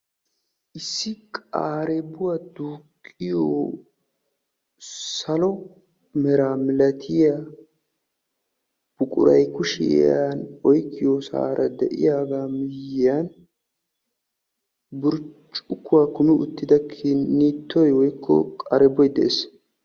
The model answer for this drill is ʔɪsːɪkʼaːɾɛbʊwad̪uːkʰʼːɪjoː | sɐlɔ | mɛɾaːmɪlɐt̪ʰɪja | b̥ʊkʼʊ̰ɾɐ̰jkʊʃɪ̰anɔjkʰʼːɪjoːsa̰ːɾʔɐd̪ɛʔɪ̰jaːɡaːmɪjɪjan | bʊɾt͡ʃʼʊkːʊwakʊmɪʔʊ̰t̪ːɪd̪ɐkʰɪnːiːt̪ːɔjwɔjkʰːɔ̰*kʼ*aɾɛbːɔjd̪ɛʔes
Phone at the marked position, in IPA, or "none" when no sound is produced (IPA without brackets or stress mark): kʼ